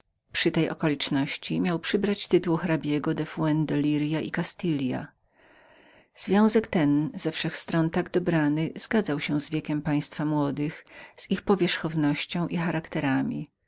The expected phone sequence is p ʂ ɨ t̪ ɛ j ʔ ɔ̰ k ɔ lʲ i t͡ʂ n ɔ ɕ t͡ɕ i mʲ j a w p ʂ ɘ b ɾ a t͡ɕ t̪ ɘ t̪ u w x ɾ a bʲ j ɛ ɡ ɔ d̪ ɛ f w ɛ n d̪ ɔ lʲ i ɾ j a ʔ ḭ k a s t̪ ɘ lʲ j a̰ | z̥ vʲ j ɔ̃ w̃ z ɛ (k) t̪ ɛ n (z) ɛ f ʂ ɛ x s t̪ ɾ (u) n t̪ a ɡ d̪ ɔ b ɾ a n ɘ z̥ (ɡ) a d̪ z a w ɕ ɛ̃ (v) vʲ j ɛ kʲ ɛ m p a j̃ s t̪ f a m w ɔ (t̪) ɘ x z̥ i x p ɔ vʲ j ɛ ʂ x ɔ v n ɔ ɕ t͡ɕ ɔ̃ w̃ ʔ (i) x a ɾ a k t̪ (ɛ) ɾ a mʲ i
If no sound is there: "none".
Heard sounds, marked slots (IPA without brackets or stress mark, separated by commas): k, z, ɔ, ɡ, z, d̪, i, ɛ